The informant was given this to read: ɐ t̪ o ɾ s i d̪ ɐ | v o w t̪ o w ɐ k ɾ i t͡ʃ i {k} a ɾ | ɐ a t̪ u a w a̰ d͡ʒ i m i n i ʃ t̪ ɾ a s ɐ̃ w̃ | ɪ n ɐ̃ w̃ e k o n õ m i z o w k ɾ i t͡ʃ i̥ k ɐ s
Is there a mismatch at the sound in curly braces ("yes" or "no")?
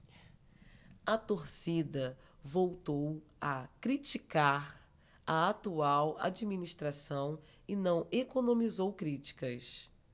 no